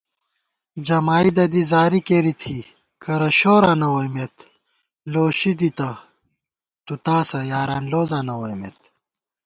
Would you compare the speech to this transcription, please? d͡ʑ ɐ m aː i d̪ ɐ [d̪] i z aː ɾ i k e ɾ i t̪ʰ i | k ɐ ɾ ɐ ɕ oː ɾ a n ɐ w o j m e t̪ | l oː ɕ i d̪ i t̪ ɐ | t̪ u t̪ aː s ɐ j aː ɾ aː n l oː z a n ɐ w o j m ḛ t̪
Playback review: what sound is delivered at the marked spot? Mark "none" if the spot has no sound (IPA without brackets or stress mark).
d̪